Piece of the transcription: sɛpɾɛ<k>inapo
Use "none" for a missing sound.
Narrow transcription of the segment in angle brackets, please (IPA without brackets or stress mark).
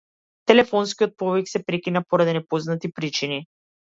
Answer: k